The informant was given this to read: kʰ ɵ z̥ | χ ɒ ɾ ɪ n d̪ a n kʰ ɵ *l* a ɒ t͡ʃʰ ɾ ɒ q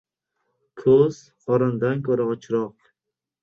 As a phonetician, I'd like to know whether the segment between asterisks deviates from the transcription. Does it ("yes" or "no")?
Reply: yes